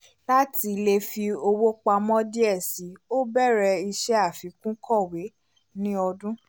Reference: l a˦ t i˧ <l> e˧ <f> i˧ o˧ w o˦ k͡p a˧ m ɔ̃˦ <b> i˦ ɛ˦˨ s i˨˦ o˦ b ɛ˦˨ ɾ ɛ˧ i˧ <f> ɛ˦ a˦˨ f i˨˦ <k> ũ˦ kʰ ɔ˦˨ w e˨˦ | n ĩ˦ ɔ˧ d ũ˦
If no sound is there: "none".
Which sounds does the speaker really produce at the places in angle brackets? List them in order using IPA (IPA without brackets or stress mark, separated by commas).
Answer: l, f, d, ʃ, k